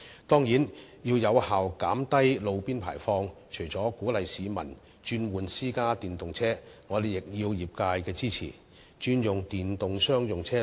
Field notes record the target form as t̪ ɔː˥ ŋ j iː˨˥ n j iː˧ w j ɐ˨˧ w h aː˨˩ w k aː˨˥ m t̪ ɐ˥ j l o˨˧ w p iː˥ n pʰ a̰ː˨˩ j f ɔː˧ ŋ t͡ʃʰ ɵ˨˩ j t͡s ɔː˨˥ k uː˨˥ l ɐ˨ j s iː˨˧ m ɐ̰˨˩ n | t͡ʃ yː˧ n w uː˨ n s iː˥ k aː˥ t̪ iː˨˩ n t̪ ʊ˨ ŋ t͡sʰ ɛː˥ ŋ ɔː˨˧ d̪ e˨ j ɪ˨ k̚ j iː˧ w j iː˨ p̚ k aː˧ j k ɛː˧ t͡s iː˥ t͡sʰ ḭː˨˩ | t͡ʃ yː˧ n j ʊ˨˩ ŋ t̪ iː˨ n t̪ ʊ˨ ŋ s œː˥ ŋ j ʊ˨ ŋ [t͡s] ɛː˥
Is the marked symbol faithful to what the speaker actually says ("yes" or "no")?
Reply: no